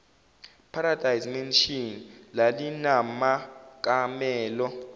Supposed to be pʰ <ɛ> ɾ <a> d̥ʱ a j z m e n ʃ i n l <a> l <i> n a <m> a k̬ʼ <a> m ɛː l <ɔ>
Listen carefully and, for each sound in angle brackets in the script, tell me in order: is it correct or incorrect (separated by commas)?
incorrect, correct, correct, correct, correct, correct, correct